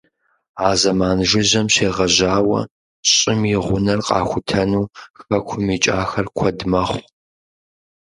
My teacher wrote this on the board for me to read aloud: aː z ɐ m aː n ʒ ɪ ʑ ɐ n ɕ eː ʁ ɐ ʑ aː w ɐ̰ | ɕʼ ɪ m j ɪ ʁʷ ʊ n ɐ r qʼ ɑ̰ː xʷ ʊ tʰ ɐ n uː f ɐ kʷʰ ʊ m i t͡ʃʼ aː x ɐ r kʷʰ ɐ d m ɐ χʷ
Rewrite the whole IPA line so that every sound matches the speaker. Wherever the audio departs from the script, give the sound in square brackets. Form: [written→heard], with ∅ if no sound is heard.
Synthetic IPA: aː z ɐ m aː n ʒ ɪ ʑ ɐ [n→m] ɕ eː ʁ ɐ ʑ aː w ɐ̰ | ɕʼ ɪ m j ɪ ʁʷ ʊ n ɐ r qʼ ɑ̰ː xʷ ʊ tʰ ɐ n uː [f→x] ɐ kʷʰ ʊ m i t͡ʃʼ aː x ɐ r kʷʰ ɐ d m ɐ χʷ

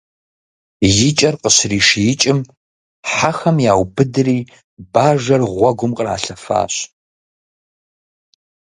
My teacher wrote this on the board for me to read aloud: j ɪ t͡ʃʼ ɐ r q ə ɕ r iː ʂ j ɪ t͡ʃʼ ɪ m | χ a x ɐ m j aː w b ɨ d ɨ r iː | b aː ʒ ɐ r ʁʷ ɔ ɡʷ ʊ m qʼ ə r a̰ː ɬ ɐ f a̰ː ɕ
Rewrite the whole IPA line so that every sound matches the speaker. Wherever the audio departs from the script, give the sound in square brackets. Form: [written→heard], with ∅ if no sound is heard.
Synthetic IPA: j ɪ t͡ʃʼ ɐ r q ə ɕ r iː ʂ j ɪ t͡ʃʼ ɪ m | [χ→ħ] a x ɐ m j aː w b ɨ d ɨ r iː | b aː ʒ ɐ r ʁʷ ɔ ɡʷ ʊ m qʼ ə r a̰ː ɬ ɐ f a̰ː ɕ

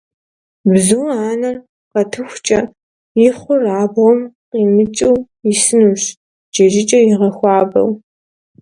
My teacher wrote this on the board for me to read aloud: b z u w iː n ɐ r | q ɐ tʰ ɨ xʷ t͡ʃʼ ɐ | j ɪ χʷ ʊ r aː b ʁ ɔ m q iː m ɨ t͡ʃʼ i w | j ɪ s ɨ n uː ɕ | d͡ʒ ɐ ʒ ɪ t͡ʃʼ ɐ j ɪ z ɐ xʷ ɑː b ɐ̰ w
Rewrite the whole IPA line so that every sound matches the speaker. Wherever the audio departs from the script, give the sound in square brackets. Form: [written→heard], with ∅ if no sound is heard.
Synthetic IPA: b z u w [iː→aː] n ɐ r | q ɐ tʰ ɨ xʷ t͡ʃʼ ɐ | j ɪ χʷ ʊ r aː b ʁ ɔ m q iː m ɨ t͡ʃʼ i w | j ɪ s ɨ n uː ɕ | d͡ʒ ɐ ʒ ɪ t͡ʃʼ ɐ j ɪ [z→ʁ] ɐ xʷ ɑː b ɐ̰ w

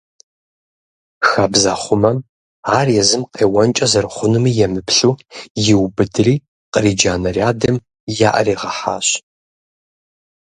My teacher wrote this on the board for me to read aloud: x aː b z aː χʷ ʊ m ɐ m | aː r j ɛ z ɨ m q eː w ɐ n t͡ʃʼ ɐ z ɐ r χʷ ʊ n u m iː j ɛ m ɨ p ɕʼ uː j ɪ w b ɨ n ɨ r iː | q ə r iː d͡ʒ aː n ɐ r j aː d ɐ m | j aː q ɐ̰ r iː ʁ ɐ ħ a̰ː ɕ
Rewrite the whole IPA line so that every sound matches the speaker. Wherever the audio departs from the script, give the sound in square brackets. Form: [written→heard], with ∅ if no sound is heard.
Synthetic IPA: x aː b z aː χʷ ʊ m ɐ m | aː r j ɛ z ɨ m q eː w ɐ n t͡ʃʼ ɐ z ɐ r χʷ ʊ n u m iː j ɛ m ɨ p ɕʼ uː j ɪ w b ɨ [n→d] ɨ r iː | q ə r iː d͡ʒ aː n ɐ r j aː d ɐ m | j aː [q→ʔ] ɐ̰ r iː ʁ ɐ ħ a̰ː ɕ

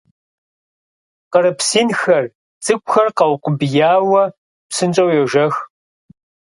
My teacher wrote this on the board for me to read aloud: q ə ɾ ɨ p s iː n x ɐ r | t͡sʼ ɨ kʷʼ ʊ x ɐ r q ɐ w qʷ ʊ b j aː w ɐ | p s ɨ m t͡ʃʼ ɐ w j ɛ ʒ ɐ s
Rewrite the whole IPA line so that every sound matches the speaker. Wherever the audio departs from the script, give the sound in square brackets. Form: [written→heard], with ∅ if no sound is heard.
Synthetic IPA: q ə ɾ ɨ p s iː n x ɐ r | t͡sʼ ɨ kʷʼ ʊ x ɐ r q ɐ w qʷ ʊ b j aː w ɐ | p s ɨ [m→n] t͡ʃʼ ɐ w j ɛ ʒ ɐ [s→x]

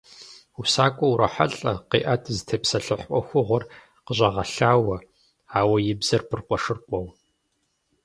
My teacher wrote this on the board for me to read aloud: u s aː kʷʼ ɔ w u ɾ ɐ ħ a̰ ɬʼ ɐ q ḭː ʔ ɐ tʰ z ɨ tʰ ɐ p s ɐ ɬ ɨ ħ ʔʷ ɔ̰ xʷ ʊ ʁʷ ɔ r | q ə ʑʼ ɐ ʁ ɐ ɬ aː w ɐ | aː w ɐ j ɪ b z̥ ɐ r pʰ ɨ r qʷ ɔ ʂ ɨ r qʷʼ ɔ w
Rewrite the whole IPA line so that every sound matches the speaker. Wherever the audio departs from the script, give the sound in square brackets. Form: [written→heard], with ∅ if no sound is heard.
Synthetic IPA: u s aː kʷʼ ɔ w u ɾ ɐ ħ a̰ ɬʼ ɐ q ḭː ʔ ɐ tʰ z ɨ tʰ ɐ p s ɐ ɬ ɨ ħ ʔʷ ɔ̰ xʷ ʊ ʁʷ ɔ r | q ə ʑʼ ɐ ʁ ɐ ɬ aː w ɐ | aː w ɐ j ɪ b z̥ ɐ r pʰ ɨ r qʷ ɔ ʂ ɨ r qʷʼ ɔ w

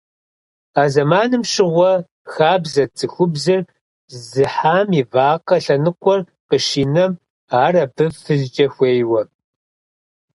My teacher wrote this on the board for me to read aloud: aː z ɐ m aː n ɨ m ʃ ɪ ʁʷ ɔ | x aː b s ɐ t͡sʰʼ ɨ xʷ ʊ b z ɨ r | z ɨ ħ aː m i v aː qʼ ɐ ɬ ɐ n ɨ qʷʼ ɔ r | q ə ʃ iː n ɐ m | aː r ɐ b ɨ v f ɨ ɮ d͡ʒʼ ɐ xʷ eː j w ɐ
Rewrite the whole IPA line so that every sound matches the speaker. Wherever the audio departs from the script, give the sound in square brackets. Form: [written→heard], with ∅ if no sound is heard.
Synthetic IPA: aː z ɐ m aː n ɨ m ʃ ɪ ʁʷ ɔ | x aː b [s→z] ɐ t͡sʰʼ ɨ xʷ ʊ b z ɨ r | z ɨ ħ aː m i v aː [qʼ→q] ɐ ɬ ɐ n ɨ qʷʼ ɔ r | q ə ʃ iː n ɐ m | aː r ɐ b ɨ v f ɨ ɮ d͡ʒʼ ɐ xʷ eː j w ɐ

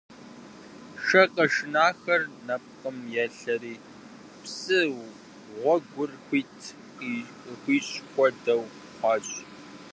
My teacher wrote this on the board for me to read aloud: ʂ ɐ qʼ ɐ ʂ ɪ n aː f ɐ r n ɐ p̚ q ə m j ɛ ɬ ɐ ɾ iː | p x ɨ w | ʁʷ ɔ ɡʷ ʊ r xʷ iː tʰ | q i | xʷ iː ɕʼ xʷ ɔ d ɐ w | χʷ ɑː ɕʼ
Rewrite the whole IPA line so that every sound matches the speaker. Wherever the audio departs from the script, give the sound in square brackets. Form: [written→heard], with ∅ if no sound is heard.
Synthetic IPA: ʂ ɐ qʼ ɐ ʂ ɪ n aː [f→x] ɐ r n ɐ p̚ q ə m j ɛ ɬ ɐ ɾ iː | p [x→s] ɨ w | ʁʷ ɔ ɡʷ ʊ r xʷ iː tʰ | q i | xʷ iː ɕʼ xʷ ɔ d ɐ w | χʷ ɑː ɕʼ

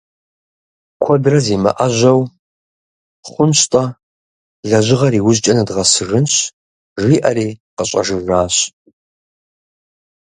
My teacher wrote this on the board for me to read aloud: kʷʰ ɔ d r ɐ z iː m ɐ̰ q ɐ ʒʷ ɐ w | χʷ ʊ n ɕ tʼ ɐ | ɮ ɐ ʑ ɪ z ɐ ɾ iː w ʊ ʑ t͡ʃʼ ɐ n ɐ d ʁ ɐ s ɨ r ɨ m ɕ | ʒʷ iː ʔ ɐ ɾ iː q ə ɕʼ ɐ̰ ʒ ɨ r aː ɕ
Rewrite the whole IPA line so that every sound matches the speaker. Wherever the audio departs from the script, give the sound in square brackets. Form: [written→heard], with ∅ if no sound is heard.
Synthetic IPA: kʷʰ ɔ d r ɐ z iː m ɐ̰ [q→ʔ] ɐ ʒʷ ɐ w | χʷ ʊ n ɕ tʼ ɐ | ɮ ɐ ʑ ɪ [z→ʁ] ɐ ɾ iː w ʊ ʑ t͡ʃʼ ɐ n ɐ d ʁ ɐ s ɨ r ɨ [m→n] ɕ | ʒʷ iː ʔ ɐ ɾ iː q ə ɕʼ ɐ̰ ʒ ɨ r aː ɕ

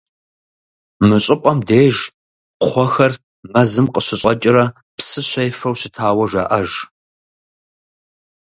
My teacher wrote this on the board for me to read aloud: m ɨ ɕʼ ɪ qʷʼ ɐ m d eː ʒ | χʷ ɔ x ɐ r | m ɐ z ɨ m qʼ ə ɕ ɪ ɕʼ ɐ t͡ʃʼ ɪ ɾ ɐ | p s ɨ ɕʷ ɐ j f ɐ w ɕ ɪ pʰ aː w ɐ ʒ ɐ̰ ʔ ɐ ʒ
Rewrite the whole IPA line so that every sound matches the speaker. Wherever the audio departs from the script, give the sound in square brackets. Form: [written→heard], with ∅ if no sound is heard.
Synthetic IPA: m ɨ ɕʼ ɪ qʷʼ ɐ m d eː ʒ | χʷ ɔ x ɐ r | m ɐ z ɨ m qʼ ə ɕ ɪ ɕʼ ɐ t͡ʃʼ ɪ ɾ ɐ | p s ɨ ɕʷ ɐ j f ɐ w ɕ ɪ [pʰ→tʰ] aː w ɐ ʒ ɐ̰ ʔ ɐ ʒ

